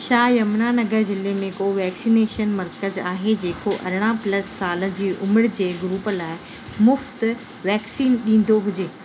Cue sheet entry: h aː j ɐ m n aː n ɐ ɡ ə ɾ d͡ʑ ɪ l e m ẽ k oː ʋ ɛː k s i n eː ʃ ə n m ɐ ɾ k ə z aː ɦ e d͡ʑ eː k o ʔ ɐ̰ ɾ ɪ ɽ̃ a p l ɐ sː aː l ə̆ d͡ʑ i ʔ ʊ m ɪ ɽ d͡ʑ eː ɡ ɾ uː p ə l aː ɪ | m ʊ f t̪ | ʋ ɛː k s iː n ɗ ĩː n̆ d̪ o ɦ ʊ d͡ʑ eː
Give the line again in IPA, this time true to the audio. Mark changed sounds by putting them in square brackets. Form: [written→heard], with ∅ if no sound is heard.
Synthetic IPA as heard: [h→ʃ] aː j ɐ m n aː n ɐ ɡ ə ɾ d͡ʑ ɪ l e m ẽ k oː ʋ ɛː k s i n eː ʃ ə n m ɐ ɾ k ə z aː ɦ e d͡ʑ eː k o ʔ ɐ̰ ɾ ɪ ɽ̃ a p l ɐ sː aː l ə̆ d͡ʑ [i→iː] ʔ ʊ m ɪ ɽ d͡ʑ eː ɡ ɾ uː p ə l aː ɪ | m ʊ f t̪ | ʋ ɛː k s iː n ɗ ĩː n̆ d̪ o ɦ ʊ d͡ʑ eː